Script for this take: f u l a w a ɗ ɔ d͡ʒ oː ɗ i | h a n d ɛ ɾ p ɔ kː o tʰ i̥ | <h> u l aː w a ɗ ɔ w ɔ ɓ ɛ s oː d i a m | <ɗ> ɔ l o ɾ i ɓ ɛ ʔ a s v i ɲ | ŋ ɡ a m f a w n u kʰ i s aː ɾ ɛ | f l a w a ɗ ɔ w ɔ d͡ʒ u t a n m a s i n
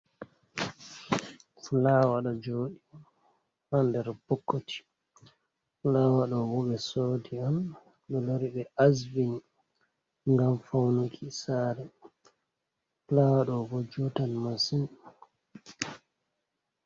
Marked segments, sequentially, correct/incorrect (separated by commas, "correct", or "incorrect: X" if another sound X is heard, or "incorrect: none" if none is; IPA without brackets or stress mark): incorrect: f, correct